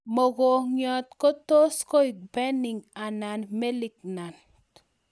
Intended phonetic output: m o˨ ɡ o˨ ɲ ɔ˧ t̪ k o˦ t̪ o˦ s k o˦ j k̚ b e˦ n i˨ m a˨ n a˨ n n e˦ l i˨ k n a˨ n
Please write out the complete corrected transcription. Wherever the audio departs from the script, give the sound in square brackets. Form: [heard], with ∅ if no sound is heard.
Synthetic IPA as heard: m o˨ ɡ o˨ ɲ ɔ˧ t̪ k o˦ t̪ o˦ s k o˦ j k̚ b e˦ n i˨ [ŋ] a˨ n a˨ n [m] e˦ l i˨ k n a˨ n